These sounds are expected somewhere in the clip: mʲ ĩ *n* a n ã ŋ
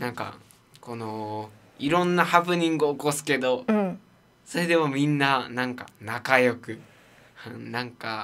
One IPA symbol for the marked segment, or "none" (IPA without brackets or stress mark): nː